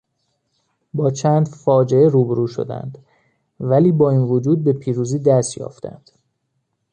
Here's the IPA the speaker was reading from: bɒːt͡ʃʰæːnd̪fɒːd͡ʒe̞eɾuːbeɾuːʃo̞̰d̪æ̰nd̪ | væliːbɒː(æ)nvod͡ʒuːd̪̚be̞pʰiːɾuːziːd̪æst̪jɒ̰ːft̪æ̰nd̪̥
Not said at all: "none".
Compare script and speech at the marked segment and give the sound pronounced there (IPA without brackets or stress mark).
i